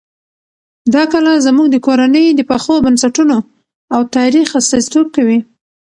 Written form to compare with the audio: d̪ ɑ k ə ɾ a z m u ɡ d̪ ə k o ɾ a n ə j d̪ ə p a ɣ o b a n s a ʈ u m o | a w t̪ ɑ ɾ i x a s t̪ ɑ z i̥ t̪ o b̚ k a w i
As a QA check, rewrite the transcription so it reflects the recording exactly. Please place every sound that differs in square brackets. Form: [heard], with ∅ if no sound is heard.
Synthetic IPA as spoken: d̪ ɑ k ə [l] a z m u ɡ d̪ ə k o ɾ a n ə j d̪ ə p a [x] o b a n s a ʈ u [n] o | a w t̪ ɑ ɾ i x a s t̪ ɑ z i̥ t̪ o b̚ k a w i